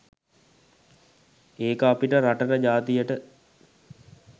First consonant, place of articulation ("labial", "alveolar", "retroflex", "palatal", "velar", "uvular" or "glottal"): velar